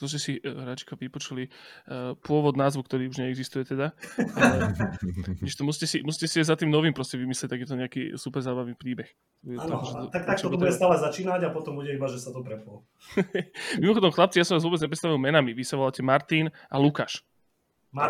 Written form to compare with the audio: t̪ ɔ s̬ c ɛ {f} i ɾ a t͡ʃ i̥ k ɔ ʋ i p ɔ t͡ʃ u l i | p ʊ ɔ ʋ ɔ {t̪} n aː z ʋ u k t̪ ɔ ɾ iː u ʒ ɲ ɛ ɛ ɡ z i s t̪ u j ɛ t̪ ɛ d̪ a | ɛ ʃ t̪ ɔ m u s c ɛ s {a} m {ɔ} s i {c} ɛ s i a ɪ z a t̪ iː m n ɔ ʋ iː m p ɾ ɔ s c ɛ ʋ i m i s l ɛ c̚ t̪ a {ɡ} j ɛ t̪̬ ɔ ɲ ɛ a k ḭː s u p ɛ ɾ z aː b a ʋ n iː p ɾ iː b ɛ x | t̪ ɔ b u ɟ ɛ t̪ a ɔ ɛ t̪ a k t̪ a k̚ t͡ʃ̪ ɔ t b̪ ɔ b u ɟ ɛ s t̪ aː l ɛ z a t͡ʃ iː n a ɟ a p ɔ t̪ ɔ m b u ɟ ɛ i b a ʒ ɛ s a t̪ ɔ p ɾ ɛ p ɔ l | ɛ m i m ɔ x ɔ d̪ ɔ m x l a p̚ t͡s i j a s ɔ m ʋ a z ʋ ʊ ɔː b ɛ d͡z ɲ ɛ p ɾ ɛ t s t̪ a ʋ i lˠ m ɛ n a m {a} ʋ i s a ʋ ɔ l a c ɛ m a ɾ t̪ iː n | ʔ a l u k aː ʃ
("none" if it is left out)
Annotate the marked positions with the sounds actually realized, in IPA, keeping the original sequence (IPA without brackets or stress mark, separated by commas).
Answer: s, d̪, i, u, c, ɡ, i